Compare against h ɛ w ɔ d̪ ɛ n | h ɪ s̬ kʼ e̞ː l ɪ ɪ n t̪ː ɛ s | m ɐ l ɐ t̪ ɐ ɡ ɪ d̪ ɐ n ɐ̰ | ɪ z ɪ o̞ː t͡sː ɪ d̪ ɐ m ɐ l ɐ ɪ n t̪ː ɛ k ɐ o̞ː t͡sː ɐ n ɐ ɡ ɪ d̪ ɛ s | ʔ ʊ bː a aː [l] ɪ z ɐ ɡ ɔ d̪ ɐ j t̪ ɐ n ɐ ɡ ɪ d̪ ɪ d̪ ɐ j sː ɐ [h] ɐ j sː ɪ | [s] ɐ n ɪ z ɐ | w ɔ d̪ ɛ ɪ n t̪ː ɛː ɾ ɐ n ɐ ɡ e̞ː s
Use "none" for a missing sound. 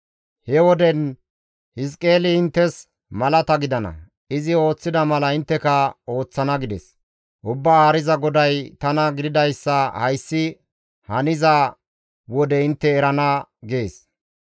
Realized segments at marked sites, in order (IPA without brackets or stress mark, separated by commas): ɾ, h, h